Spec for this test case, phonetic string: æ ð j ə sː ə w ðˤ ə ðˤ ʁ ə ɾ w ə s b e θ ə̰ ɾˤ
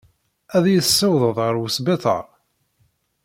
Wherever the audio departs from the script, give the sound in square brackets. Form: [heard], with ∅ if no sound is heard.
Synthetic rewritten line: æ ð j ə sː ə w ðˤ ə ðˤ ʁ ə ɾ w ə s b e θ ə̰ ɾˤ